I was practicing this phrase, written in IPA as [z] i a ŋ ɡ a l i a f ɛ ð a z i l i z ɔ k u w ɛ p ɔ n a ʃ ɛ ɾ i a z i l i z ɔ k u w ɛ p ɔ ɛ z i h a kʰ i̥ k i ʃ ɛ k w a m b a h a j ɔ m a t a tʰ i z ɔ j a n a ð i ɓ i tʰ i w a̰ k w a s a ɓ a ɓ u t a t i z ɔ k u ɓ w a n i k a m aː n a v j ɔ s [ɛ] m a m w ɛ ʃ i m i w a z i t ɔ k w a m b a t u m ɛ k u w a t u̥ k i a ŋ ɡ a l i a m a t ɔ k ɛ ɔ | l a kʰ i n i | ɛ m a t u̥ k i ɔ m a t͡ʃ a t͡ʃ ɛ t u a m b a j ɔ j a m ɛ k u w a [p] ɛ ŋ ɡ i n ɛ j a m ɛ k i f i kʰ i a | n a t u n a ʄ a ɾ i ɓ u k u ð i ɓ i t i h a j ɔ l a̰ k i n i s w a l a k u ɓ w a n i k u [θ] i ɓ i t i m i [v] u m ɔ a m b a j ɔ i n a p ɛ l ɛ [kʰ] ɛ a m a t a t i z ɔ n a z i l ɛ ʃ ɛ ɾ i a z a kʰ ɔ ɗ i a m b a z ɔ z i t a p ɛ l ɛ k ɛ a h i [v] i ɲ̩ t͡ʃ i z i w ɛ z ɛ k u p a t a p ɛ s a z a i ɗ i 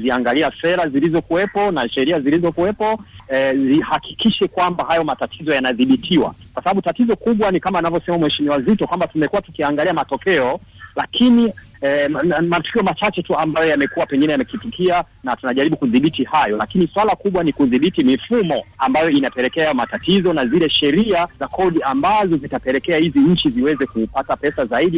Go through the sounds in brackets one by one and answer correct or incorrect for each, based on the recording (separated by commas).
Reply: correct, correct, correct, incorrect, incorrect, incorrect, incorrect